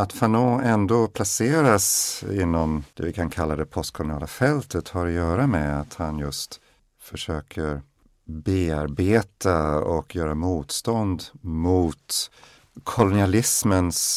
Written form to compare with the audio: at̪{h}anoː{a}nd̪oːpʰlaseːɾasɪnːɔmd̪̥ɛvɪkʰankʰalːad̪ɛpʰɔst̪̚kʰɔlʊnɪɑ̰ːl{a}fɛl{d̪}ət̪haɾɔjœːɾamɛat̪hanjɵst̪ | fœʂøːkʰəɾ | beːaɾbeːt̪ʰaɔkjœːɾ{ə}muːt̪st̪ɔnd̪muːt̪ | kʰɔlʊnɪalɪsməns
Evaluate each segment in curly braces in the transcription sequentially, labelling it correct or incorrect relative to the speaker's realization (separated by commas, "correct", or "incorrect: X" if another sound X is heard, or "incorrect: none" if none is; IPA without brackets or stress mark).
incorrect: f, incorrect: ɛ, correct, incorrect: t̪, incorrect: a